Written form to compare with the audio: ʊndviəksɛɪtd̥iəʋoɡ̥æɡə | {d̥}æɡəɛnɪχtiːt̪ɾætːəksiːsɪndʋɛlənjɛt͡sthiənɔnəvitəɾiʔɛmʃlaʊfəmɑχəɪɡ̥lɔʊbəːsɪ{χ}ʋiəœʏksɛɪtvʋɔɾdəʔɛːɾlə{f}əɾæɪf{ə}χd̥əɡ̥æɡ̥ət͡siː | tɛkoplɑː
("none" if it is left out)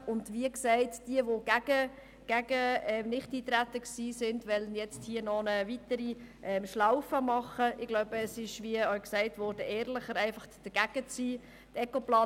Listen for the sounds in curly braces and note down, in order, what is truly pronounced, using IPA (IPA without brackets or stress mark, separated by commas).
ɡ̥, ʃ, χ, ɑ